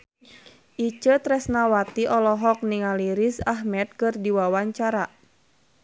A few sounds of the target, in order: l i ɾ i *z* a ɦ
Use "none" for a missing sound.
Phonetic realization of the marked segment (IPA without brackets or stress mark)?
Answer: s